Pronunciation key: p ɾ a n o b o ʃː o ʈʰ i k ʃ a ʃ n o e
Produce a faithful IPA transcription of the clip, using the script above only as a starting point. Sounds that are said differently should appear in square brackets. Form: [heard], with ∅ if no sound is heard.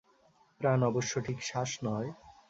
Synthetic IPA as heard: p ɾ a n [ɔ] b o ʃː o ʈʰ i k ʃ a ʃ n [ɔ] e